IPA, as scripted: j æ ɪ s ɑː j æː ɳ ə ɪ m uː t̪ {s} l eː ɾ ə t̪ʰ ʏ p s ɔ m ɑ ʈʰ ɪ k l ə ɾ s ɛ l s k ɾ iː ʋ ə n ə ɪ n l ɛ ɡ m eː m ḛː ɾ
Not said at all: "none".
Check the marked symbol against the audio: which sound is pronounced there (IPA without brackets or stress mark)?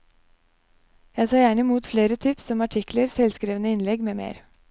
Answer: f